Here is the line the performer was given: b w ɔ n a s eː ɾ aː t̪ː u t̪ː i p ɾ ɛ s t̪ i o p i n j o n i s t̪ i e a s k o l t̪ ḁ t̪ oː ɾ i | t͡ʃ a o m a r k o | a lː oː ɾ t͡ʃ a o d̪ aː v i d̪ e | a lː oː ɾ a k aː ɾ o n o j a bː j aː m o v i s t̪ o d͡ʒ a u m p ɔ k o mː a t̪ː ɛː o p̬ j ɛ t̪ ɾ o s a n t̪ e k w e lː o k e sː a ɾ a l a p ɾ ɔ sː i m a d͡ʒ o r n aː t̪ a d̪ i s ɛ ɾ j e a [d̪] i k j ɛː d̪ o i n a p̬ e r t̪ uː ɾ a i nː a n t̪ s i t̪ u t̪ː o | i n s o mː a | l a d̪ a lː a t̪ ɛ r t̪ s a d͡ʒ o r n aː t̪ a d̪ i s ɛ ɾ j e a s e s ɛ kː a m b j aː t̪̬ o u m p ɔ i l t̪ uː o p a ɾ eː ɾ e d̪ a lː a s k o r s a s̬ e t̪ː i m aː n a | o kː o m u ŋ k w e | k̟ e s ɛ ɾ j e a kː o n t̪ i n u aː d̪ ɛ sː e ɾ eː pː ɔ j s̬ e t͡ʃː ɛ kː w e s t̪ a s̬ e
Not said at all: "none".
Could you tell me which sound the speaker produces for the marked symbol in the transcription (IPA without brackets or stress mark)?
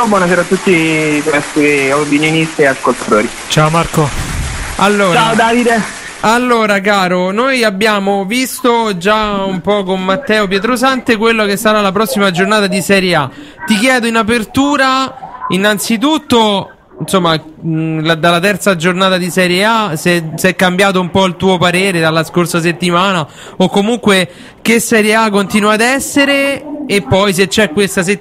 t̪